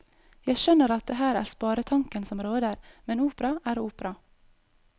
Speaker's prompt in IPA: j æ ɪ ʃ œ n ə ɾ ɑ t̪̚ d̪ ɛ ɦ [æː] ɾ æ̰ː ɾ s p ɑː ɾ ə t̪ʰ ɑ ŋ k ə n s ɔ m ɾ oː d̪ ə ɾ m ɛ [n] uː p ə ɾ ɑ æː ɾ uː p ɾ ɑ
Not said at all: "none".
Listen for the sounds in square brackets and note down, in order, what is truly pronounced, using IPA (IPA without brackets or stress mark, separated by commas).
æː, n